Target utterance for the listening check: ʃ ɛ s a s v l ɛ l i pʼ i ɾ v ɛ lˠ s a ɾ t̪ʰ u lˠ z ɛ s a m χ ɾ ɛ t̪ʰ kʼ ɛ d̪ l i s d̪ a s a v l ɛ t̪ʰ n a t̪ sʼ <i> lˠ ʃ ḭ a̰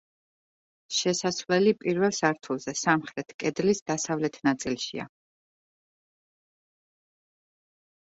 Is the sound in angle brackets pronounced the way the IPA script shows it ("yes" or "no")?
yes